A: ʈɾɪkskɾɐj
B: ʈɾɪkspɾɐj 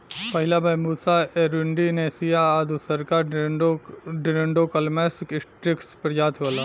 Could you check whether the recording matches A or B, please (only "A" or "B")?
B